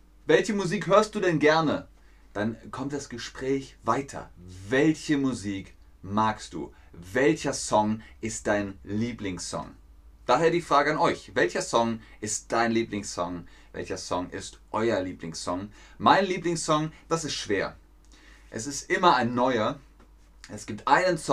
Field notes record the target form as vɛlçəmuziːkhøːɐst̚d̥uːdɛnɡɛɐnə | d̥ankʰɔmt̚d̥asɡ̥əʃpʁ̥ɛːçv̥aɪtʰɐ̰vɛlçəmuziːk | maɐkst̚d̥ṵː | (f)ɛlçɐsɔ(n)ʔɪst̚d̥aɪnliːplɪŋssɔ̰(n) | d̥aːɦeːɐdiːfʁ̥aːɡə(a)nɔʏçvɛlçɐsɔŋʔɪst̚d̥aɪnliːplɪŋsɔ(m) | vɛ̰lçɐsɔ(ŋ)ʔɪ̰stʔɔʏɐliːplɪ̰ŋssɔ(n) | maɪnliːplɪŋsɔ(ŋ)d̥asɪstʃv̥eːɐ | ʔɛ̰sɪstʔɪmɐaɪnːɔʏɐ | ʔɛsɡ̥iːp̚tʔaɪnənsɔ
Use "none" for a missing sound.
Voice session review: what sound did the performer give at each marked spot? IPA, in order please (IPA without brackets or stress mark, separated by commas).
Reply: v, ŋ, ŋ, a, ŋ, ŋ, ŋ, ŋ